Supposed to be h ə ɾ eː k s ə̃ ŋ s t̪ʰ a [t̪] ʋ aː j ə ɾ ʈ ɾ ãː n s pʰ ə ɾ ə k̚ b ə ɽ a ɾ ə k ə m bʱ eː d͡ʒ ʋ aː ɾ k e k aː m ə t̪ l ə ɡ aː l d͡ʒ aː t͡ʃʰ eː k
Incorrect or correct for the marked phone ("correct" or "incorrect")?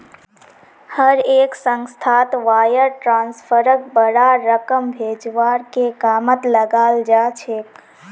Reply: correct